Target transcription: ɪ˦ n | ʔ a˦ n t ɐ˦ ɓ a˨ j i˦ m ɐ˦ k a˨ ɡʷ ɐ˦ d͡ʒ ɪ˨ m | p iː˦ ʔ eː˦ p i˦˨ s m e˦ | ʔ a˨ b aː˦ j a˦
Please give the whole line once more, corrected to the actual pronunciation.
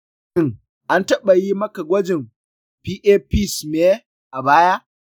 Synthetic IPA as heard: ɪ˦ ŋ | ʔ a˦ n t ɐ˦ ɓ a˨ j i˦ m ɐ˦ k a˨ ɡʷ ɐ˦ d͡ʒ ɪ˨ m | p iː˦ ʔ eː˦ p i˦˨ s m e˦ | ʔ a˨ b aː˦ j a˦